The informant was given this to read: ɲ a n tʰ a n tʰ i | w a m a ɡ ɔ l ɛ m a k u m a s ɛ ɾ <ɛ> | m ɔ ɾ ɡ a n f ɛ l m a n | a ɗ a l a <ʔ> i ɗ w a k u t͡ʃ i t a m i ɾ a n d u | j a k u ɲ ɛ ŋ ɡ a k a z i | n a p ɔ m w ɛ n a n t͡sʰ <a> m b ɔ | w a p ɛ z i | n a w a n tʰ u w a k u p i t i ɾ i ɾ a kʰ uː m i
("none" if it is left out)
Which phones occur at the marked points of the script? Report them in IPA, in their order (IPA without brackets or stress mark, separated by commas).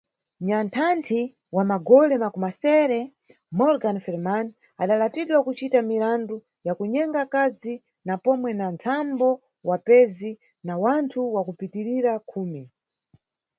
ɛ, t, a